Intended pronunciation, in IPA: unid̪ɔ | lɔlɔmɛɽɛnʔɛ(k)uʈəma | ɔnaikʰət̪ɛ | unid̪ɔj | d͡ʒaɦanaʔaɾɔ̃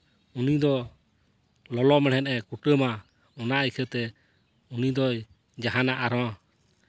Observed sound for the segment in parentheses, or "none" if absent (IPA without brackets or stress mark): k